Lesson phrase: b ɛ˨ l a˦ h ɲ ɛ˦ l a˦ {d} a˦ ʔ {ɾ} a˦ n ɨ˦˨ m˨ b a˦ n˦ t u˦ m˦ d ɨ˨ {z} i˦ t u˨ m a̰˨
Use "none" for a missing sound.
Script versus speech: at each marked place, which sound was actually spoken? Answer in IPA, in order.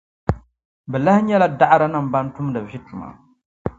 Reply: d, ɾ, v

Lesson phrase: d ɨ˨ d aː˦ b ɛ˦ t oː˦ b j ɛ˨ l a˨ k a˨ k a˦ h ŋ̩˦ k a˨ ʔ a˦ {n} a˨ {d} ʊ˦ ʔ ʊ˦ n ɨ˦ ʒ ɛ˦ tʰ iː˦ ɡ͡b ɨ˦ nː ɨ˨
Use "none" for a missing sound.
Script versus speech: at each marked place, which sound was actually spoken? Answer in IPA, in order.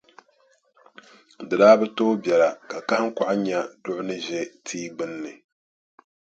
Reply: ɲ, d

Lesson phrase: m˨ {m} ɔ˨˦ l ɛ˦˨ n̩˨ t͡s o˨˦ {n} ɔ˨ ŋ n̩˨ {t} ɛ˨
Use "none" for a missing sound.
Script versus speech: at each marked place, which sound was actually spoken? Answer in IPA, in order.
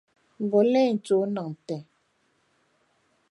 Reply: b, n, t

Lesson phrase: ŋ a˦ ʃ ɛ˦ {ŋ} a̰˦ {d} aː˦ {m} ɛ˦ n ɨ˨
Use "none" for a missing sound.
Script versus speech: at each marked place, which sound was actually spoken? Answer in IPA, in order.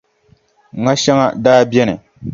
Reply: ŋ, d, b

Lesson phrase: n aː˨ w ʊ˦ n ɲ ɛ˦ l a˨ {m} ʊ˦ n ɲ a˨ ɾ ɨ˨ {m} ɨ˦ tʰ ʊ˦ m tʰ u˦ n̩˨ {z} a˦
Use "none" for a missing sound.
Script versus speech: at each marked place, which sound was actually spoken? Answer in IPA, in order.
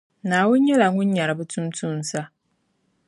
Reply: ŋ, b, s

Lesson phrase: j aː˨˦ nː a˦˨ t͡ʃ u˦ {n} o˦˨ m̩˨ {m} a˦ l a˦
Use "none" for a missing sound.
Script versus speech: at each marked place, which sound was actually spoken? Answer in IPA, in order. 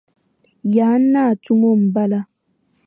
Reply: m, b

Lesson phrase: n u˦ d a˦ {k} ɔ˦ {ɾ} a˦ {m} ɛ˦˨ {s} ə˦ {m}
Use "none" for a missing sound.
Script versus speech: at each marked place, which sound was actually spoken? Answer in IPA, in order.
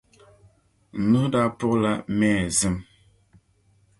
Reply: p, l, m, z, m

